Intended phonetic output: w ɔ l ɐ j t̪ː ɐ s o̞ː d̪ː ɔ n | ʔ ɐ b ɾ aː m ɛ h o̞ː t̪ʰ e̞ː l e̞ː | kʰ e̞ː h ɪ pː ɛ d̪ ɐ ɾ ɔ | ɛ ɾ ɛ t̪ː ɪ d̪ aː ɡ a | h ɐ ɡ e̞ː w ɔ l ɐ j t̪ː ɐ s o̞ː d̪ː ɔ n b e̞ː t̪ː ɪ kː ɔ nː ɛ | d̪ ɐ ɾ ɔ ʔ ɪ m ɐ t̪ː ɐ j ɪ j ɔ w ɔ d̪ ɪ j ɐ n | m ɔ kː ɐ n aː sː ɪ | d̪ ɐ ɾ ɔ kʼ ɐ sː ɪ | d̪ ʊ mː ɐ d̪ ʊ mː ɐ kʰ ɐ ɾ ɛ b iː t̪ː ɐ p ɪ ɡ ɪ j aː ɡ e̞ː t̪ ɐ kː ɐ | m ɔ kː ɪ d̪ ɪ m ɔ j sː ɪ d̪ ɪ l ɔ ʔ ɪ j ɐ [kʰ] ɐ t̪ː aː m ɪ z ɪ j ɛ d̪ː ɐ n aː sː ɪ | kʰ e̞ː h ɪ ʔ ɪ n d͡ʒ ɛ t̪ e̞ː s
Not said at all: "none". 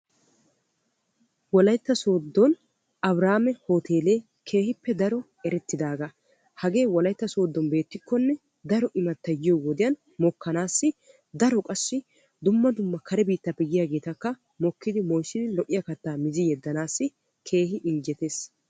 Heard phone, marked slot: k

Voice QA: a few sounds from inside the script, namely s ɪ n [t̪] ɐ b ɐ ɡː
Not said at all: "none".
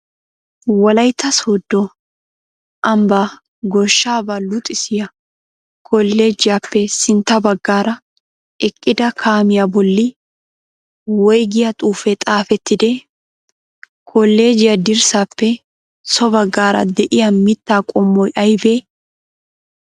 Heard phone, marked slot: t̪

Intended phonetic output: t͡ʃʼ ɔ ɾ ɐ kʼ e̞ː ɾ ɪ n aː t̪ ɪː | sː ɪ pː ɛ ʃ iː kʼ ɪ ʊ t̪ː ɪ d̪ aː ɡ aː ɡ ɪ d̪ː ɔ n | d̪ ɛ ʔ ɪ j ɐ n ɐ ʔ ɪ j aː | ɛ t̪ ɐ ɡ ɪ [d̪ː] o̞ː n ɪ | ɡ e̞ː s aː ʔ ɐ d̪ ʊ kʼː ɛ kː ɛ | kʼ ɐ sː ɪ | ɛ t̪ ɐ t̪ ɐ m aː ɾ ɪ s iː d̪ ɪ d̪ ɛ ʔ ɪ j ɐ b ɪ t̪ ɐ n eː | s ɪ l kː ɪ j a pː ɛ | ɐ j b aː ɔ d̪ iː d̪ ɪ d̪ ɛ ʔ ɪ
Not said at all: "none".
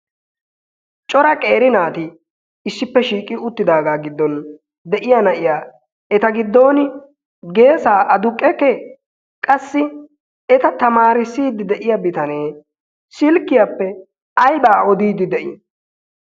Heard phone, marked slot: d̪ː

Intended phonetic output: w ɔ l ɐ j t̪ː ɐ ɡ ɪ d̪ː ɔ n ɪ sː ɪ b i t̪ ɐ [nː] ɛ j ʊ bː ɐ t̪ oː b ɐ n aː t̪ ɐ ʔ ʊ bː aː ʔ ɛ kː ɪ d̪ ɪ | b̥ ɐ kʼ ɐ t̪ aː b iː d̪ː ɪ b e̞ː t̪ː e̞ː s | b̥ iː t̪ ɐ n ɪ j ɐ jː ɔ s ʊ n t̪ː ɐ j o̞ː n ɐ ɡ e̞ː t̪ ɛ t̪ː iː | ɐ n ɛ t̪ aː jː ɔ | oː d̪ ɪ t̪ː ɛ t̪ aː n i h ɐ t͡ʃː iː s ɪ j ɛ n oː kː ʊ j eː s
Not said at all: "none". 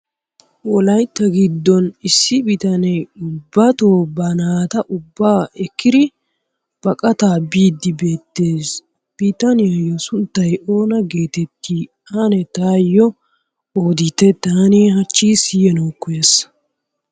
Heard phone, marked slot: n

